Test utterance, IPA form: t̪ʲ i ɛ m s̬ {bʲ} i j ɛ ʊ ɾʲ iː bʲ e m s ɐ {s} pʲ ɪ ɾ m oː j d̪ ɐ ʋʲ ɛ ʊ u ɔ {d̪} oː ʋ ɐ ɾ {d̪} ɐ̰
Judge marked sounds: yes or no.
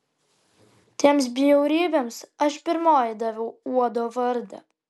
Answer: yes, no, yes, yes

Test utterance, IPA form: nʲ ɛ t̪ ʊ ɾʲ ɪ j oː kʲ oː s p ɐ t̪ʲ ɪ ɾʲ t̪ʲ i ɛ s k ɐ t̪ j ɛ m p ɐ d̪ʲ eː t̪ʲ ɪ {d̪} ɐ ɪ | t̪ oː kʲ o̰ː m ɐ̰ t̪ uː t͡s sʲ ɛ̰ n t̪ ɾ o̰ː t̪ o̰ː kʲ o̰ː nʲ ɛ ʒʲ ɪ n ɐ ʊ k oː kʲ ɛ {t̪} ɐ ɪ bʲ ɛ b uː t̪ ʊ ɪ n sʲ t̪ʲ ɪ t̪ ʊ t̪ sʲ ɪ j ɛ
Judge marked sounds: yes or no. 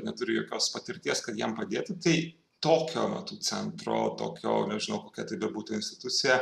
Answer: no, yes

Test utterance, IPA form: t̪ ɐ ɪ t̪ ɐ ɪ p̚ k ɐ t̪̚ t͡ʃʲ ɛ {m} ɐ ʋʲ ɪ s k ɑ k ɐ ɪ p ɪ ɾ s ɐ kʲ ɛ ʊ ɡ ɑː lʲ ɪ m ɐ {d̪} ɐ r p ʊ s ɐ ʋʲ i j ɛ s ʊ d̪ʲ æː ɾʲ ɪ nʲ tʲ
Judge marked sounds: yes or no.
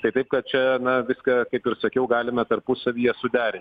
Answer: no, no

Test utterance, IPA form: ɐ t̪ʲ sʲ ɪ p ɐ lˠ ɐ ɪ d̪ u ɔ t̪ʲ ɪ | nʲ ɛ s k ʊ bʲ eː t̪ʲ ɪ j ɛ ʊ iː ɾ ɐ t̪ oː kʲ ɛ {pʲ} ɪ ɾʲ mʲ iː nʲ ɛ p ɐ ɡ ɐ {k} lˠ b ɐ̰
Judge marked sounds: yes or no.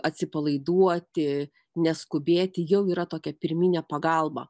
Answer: yes, no

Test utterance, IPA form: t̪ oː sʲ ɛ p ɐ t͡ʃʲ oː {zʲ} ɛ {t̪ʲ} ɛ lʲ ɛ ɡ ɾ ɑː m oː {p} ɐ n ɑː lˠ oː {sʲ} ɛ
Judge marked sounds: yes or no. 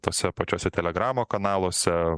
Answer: no, yes, no, yes

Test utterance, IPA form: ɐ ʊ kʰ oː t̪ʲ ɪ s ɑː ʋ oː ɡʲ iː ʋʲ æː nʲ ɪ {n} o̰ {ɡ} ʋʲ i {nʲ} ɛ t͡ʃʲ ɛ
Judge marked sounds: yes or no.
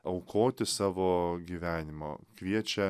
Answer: no, no, no

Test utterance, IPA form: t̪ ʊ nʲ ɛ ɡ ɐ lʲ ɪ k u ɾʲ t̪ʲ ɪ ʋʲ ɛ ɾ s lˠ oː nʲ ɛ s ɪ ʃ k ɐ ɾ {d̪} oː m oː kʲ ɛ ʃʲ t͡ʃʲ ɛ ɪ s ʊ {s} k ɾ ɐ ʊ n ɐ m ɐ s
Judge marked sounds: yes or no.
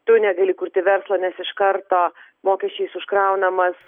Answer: no, no

